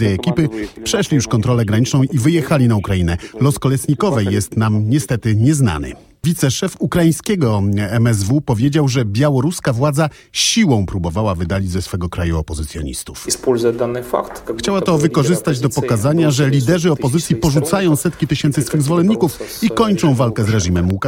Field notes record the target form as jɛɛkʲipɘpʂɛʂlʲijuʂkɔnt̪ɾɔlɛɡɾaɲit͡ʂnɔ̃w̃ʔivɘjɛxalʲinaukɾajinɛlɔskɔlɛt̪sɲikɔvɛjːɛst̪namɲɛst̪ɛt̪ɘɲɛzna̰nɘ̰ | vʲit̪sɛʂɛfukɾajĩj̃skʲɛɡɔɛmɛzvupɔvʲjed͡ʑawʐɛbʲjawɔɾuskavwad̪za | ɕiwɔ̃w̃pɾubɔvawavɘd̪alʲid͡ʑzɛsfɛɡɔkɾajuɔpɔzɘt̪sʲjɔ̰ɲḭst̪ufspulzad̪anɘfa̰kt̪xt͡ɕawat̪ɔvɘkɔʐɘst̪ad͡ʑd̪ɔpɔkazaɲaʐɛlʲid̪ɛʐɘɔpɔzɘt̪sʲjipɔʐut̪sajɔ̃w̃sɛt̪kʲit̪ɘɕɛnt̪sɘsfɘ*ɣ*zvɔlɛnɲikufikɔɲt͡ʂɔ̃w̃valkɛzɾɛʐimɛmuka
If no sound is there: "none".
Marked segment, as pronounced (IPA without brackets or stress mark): ɣ